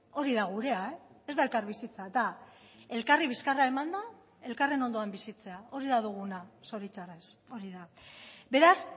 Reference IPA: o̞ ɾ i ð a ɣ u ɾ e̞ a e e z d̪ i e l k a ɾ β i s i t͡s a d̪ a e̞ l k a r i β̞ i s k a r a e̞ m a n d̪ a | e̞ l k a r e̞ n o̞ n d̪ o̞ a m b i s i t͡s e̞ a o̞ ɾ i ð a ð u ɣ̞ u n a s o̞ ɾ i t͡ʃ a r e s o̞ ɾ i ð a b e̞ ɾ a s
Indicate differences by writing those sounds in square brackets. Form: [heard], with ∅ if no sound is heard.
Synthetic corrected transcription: o̞ ɾ i ð a ɣ u ɾ e̞ a e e z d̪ [a] e l k a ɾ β i s i t͡s a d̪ a e̞ l k a r i β̞ i s k a r a e̞ m a n d̪ a | e̞ l k a r e̞ n o̞ n d̪ o̞ a m b i s i t͡s e̞ a o̞ ɾ i ð a ð u ɣ̞ u n a s o̞ ɾ i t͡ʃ a r e s o̞ ɾ i ð a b e̞ ɾ a s